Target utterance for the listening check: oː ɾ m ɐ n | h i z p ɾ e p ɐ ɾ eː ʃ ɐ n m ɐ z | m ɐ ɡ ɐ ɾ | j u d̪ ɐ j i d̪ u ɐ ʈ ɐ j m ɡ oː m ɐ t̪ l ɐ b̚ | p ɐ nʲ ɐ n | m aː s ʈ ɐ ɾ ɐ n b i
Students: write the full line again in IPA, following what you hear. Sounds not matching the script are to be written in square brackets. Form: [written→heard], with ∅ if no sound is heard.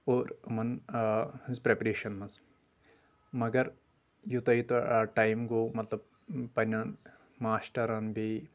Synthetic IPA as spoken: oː ɾ m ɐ n | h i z p ɾ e p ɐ ɾ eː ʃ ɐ n m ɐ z | m ɐ ɡ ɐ ɾ | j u [d̪→t̪] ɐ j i [d̪→t̪] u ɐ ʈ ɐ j m ɡ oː m ɐ t̪ l ɐ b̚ | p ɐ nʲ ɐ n | m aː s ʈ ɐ ɾ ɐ n b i